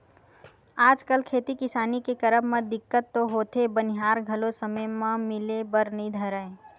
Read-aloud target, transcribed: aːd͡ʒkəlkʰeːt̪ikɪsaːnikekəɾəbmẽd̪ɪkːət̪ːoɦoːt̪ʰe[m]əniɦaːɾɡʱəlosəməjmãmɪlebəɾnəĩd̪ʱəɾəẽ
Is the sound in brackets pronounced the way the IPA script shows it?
no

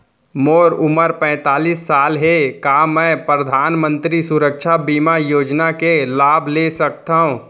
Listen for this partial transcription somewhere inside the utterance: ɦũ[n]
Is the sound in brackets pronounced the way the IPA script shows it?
no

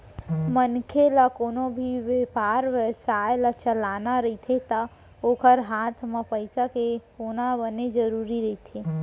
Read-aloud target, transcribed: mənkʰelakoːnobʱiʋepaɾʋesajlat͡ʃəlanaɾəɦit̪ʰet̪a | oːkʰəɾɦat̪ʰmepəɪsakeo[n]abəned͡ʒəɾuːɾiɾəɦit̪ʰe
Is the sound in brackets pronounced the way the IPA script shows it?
yes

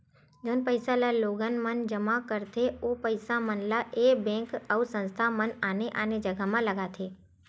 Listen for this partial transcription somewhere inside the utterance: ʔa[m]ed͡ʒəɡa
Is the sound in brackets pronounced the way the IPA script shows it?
no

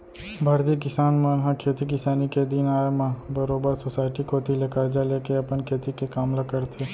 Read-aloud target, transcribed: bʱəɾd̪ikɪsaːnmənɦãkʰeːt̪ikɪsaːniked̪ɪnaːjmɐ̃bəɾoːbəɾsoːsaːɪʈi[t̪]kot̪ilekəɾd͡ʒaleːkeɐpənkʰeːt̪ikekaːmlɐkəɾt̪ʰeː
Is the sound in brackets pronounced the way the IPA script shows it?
no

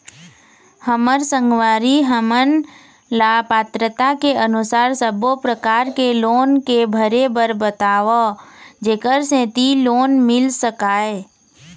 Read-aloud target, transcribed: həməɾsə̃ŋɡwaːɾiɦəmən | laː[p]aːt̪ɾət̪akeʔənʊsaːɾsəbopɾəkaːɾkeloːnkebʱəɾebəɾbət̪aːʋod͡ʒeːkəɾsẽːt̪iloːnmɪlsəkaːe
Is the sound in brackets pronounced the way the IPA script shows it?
yes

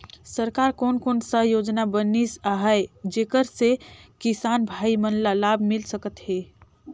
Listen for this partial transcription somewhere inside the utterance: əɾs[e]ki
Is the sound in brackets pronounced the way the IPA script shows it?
yes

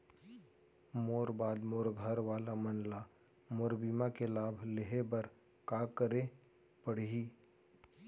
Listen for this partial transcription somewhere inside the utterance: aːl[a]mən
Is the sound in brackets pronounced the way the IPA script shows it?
yes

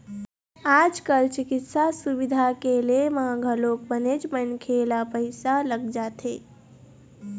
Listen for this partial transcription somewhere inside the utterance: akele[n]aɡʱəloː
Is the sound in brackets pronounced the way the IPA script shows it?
no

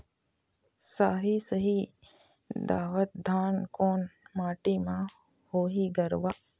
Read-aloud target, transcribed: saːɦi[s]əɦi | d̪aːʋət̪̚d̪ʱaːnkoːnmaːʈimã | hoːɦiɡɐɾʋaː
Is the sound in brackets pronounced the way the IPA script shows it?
yes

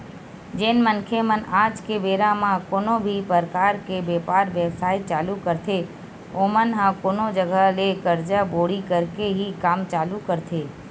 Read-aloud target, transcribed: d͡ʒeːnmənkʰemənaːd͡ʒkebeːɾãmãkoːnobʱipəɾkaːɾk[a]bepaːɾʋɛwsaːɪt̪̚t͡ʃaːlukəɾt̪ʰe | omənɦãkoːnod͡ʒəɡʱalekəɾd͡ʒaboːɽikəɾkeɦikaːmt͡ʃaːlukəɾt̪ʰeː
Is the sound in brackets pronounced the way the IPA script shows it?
no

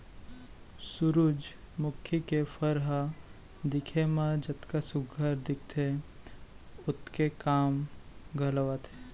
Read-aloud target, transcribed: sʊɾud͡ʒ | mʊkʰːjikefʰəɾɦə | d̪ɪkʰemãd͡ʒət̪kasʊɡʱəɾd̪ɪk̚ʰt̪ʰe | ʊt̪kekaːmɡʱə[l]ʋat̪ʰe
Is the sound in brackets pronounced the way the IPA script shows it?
yes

